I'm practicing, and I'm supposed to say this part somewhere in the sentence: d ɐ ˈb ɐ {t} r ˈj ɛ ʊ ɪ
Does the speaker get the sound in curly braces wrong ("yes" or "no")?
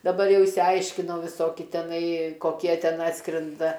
yes